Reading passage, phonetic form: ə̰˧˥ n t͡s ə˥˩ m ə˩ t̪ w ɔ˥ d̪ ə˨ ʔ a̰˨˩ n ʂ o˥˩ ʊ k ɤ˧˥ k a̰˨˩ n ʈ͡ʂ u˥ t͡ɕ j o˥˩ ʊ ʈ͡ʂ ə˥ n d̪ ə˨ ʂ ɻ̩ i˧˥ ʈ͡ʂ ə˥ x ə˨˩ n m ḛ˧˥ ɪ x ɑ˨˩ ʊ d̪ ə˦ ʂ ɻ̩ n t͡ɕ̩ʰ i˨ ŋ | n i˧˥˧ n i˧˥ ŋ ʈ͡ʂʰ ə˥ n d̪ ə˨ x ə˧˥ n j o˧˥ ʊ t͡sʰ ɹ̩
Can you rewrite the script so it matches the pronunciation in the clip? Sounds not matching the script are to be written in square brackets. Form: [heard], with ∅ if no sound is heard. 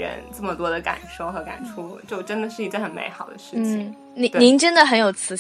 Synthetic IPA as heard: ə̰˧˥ n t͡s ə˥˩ m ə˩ t̪ w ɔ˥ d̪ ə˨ [k] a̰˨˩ n ʂ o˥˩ ʊ [x] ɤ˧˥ k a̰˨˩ n [ʈ͡ʂʰ] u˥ t͡ɕ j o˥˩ ʊ ʈ͡ʂ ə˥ n d̪ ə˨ ʂ ɻ̩ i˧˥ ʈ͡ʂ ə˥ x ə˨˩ n m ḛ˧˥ ɪ x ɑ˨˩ ʊ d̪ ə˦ ʂ ɻ̩ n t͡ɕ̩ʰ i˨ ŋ | n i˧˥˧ n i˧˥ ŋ [ʈ͡ʂ] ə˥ n d̪ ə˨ x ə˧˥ n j [o˨˩] ʊ t͡sʰ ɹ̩